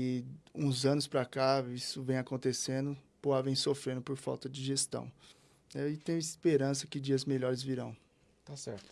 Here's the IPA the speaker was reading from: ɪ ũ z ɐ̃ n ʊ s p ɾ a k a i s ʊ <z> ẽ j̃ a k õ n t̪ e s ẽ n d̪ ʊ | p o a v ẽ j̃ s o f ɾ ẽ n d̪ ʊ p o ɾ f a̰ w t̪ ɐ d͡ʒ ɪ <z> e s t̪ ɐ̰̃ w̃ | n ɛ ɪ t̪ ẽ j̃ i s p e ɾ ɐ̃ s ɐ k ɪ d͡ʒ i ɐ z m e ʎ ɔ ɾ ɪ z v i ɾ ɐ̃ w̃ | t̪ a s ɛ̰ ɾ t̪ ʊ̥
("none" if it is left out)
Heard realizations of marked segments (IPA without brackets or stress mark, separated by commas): v, ʒ